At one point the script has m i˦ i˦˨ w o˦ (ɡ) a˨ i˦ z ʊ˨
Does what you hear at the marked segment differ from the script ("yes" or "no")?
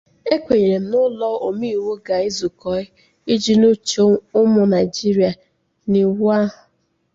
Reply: no